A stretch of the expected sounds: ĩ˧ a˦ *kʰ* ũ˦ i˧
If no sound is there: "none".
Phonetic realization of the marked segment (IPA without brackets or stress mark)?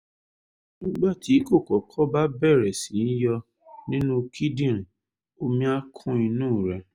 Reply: kʰ